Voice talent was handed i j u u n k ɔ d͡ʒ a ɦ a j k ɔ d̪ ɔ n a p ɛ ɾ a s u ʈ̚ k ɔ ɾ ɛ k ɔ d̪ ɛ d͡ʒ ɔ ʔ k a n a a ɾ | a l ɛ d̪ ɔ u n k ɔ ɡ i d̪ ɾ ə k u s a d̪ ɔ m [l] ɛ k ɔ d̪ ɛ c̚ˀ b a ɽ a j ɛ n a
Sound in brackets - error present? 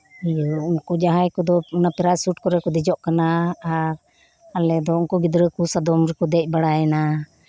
yes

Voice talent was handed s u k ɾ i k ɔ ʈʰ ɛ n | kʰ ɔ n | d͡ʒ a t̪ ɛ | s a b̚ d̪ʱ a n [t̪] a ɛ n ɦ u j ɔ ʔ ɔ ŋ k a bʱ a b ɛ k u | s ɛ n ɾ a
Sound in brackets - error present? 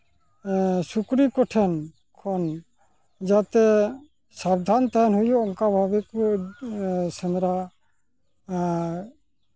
no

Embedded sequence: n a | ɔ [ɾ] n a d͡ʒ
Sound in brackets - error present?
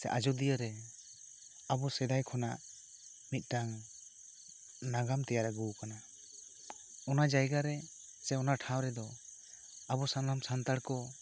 yes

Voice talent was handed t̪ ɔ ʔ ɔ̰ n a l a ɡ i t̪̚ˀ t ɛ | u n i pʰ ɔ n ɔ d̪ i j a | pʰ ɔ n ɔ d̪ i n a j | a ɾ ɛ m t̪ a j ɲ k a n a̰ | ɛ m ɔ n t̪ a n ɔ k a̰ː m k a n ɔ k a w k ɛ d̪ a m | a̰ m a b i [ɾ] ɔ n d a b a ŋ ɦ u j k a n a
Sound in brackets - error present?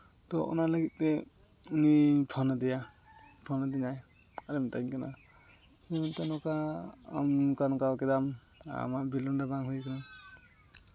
yes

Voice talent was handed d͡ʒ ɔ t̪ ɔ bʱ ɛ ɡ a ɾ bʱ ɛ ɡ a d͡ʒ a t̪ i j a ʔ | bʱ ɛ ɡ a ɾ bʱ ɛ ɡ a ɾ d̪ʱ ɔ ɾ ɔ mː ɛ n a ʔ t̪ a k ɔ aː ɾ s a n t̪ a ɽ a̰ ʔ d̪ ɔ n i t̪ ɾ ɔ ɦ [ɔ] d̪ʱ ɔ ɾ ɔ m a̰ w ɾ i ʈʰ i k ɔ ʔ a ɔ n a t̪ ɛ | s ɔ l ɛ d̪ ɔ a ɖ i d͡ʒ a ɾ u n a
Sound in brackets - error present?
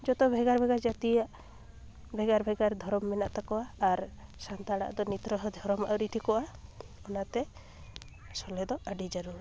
no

